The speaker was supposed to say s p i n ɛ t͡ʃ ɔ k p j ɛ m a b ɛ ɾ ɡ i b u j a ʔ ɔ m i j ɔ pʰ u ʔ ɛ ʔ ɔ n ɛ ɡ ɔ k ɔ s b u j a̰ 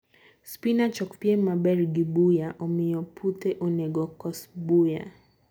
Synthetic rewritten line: s p i n a t͡ʃ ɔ k p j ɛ m a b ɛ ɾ ɡ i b u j a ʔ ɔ m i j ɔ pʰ u t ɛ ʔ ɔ n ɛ ɡ ɔ k ɔ s b u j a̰